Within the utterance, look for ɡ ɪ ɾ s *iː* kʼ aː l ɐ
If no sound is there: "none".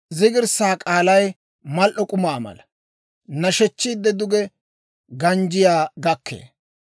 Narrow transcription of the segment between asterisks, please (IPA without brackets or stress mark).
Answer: aː